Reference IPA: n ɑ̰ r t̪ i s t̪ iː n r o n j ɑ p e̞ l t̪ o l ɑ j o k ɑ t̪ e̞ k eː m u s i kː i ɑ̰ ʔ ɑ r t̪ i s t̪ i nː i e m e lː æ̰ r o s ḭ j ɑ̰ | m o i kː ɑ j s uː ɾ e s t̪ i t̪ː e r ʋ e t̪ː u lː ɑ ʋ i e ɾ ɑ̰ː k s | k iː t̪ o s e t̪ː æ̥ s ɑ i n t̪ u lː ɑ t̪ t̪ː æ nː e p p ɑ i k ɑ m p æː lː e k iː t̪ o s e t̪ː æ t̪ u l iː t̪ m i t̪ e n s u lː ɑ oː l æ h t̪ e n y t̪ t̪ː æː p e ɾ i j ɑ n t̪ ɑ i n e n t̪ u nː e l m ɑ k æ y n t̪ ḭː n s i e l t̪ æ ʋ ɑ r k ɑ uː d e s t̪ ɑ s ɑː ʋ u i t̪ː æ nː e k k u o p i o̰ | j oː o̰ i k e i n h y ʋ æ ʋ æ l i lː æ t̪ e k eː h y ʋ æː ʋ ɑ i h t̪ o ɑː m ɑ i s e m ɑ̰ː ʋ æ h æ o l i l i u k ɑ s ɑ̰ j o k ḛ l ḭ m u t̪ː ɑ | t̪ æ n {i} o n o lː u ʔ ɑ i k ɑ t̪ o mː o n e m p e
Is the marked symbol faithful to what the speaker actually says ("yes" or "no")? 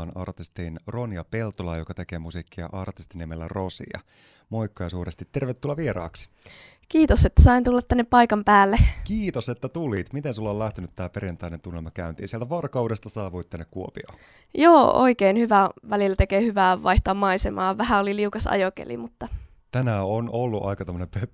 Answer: no